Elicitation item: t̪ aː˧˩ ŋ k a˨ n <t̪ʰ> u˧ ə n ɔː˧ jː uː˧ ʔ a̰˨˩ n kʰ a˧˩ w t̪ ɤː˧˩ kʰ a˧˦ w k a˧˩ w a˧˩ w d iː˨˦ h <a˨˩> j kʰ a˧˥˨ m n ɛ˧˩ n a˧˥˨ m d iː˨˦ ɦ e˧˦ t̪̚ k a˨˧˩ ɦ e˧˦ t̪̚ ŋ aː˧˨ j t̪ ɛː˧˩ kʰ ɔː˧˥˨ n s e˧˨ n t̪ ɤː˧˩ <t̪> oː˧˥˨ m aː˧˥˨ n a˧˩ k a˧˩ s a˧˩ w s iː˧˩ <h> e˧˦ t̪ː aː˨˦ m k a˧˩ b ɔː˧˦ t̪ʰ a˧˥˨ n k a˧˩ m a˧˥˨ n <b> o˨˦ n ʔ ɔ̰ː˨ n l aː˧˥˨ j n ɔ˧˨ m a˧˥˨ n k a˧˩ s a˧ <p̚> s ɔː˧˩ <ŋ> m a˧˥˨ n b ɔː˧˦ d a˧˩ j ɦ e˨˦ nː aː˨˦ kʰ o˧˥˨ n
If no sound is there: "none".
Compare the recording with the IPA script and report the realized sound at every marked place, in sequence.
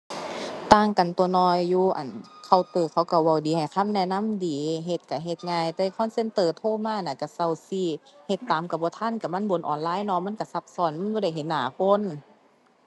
t̪, a˨˩, t̪ʰ, h, b, p̚, n

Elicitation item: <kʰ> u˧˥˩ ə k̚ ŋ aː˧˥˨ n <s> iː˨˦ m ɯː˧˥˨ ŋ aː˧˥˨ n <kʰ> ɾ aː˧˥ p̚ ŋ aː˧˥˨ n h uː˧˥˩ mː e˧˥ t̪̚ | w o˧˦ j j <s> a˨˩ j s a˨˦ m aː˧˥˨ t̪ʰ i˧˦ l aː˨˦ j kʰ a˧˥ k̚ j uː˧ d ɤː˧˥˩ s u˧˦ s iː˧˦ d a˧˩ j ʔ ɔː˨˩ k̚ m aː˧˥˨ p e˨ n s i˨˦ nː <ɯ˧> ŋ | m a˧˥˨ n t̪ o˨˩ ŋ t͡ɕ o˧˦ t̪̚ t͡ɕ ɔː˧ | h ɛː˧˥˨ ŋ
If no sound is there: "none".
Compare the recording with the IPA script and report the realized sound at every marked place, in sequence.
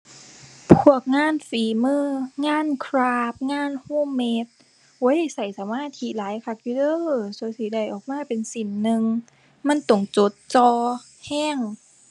pʰ, f, kʰ, s, ɯ˧

